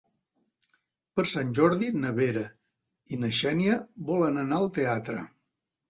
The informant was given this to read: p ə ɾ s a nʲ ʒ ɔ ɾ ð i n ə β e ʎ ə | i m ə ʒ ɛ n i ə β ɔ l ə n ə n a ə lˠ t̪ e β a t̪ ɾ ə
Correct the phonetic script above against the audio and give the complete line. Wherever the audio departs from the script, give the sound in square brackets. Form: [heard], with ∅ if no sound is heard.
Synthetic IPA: p ə ɾ s a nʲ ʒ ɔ ɾ ð i n ə β e [ɾ] ə | i [n] ə [ʃ] ɛ n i ə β ɔ l ə n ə n a ə lˠ t̪ e [∅] a t̪ ɾ ə